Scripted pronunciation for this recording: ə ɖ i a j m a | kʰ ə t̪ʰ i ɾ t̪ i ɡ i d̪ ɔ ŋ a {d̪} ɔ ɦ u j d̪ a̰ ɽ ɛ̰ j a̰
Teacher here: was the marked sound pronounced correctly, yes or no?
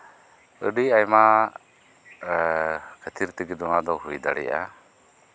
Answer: yes